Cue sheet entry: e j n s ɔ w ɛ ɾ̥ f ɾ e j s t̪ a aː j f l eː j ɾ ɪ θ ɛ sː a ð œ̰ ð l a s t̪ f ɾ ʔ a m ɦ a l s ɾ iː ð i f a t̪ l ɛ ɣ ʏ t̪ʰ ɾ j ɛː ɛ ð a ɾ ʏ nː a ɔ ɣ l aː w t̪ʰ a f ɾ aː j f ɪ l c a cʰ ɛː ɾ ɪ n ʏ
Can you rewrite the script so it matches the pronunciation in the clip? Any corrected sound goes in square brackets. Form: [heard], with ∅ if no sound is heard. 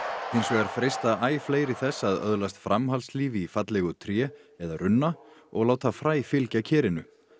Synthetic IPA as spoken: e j n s ɔ [ɣ] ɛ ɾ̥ f ɾ e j s t̪ a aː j f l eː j ɾ ɪ θ ɛ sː a ð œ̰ ð l a s t̪ f ɾ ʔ a m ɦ a l s [l] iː [v] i f a t̪ l ɛ ɣ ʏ t̪ʰ ɾ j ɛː ɛ ð a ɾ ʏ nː a ɔ ɣ l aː w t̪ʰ a f ɾ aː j f ɪ l c a cʰ ɛː ɾ ɪ n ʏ